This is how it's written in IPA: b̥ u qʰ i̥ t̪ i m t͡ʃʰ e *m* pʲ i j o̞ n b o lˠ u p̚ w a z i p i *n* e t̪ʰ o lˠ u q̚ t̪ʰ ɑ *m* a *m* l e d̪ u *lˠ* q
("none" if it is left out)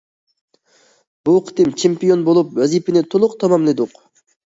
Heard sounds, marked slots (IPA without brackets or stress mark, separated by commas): m, n, m, m, none